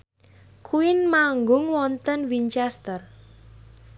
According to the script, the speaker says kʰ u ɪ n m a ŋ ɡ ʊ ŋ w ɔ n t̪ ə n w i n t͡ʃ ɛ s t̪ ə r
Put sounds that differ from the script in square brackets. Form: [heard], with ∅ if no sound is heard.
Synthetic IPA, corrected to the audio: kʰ u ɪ n m a ŋ ɡ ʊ ŋ w ɔ n t̪ ə n w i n t͡ʃ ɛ s t̪ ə r